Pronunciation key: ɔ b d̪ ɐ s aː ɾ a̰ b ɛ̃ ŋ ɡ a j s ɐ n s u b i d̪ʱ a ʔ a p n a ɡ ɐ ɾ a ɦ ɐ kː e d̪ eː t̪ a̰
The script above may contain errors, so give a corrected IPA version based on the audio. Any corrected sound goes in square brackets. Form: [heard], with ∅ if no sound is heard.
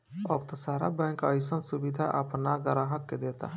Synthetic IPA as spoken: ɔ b [t̪] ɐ s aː ɾ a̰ b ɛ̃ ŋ [k] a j s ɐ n s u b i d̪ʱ a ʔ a p n a ɡ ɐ ɾ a ɦ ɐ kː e d̪ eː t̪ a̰